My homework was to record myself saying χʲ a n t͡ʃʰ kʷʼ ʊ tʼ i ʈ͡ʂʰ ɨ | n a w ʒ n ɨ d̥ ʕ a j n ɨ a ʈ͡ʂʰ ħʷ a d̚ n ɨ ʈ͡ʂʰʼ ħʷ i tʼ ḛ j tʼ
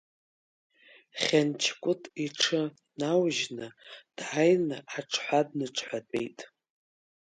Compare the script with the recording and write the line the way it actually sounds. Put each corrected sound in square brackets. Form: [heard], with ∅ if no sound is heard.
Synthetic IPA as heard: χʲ a n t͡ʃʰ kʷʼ ʊ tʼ i ʈ͡ʂʰ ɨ | n a w ʒ n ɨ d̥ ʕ a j n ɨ a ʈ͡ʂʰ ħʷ a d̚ n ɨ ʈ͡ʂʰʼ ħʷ [a] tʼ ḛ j tʼ